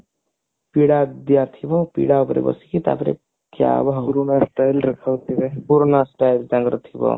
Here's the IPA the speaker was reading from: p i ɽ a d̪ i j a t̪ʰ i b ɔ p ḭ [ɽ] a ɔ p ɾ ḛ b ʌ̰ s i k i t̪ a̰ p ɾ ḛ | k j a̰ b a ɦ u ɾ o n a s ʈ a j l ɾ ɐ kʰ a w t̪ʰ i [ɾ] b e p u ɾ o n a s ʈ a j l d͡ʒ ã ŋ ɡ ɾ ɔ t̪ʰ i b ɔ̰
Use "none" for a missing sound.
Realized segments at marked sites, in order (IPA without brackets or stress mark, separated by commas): ɽ, none